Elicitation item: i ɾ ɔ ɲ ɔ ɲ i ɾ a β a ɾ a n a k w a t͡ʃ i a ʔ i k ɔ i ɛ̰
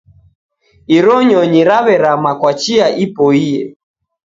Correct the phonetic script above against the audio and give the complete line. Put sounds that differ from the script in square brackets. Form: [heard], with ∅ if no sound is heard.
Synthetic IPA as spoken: i ɾ ɔ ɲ ɔ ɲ i ɾ a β [ɛ] ɾ a [m] a k w a t͡ʃ i a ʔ i [p] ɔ i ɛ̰